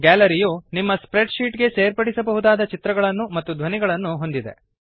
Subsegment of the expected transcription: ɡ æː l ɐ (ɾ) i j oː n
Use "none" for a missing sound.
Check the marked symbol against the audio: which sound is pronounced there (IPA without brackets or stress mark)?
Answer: ɾ